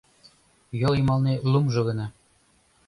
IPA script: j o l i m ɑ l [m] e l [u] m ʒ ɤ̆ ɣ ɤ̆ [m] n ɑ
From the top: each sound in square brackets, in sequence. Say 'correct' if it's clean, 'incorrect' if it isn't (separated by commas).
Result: incorrect, correct, incorrect